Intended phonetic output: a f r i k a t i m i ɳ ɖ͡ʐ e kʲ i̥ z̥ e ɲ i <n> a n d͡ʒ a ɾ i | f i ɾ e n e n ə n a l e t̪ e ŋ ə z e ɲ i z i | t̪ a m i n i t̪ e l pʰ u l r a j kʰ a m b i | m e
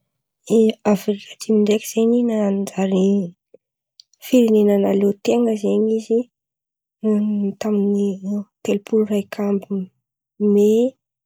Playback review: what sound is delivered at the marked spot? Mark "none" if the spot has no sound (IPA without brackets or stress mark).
n